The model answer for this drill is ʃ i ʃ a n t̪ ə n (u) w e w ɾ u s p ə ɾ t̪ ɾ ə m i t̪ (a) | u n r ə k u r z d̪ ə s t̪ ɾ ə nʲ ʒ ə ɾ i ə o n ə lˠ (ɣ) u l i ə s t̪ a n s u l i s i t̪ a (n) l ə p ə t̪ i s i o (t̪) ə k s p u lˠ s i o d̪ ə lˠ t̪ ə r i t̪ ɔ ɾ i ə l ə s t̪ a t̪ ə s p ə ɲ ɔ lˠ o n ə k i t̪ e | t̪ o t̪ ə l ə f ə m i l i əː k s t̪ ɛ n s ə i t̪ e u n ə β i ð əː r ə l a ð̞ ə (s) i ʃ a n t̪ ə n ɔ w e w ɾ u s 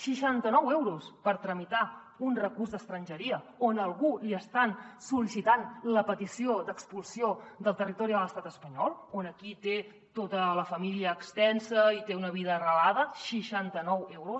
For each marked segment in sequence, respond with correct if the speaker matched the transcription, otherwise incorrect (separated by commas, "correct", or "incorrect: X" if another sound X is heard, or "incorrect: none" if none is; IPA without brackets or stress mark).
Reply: incorrect: ɔ, correct, correct, correct, incorrect: d̪, incorrect: ʃ